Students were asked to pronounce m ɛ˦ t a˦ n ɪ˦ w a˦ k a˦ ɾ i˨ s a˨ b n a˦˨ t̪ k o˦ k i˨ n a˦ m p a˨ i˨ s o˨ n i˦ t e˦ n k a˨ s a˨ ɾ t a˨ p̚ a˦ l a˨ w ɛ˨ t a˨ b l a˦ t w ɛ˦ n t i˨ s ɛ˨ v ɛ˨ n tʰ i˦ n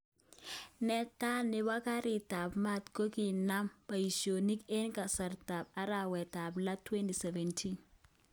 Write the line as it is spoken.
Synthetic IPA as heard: n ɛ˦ t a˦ n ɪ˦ w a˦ k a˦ ɾ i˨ t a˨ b m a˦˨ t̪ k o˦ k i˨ n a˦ m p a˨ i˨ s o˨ n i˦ k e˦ n k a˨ s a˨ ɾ t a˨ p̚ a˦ ɾ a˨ w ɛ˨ t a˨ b l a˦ t w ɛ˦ n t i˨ s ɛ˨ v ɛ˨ n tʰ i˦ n

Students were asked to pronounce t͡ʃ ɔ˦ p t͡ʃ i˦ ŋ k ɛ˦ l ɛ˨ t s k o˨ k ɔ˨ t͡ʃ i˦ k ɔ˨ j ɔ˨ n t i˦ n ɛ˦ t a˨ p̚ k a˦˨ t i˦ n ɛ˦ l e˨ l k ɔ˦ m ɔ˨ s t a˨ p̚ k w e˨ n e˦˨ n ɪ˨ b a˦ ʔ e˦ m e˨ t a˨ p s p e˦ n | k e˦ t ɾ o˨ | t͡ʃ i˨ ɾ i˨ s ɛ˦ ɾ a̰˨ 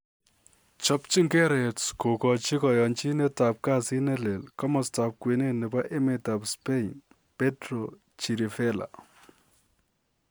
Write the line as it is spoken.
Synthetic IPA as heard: t͡ʃ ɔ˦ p t͡ʃ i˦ ŋ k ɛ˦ ɾ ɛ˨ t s k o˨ k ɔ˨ t͡ʃ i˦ k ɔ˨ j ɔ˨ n t͡ʃ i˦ n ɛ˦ t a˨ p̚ k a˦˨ s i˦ n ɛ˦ l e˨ l k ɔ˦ m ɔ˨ s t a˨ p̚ k w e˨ n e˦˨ n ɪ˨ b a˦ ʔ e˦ m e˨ t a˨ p s p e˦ n | p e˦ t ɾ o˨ | t͡ʃ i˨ ɾ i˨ f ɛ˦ l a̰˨

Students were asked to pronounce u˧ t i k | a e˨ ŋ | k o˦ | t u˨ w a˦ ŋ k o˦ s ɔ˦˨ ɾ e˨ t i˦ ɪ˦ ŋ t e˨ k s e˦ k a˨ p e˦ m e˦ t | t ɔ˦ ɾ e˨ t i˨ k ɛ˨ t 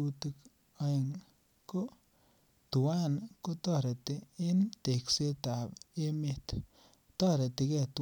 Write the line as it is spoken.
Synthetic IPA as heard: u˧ t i k | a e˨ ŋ | k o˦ | t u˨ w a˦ n k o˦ t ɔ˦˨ ɾ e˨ t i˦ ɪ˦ n t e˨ k s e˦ t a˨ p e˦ m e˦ t | t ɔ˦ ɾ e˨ t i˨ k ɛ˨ t

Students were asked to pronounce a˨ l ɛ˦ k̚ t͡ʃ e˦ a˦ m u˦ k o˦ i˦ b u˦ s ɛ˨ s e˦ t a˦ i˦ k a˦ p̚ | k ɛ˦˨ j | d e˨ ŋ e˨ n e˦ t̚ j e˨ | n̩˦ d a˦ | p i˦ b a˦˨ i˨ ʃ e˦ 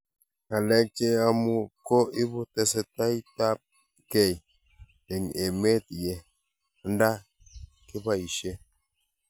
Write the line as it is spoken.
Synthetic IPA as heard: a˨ l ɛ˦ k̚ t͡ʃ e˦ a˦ m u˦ k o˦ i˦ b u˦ t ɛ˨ s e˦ t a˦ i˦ t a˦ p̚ | k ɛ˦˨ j | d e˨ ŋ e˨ m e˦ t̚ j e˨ | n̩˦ d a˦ | k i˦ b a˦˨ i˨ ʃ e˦

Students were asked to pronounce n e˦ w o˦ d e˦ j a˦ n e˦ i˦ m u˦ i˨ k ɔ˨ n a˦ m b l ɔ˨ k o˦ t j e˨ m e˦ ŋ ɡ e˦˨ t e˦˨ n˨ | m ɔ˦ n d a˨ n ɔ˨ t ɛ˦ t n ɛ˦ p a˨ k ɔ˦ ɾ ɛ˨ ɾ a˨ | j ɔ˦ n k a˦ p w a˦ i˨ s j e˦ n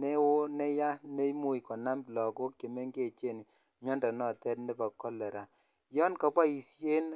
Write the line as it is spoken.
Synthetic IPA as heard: n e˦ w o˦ n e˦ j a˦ n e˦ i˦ m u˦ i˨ k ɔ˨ n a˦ m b l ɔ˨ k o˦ k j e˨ m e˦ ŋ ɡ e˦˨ t͡ʃ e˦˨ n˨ | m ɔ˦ n d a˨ n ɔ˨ t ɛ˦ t n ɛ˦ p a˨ k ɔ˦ l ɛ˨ ɾ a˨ | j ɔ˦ n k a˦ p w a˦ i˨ s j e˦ n

